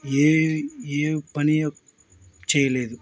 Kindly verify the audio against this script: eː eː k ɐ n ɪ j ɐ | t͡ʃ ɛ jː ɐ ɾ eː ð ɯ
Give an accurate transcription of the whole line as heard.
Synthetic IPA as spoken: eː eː p ɐ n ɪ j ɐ | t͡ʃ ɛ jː ɐ l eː ð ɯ